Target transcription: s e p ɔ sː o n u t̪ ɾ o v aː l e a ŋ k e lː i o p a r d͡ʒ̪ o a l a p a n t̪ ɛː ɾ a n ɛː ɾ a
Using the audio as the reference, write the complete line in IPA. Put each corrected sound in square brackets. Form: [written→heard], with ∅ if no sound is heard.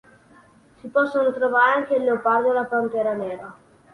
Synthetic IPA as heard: s [e→i] p ɔ sː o n [u→o] t̪ ɾ o v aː [l→ɾ] e a ŋ k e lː [i→e] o p a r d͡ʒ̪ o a l a p a n t̪ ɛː ɾ a n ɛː ɾ a